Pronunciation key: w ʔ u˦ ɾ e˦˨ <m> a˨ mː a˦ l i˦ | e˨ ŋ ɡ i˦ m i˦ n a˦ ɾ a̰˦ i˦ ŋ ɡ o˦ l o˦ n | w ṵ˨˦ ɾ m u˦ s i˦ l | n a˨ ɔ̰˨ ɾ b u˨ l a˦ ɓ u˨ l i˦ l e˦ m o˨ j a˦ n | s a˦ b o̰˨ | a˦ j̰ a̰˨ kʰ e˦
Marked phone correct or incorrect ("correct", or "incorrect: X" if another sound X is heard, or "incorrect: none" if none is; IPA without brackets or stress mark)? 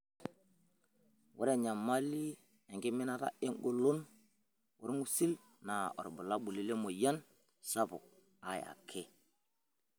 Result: incorrect: ɲ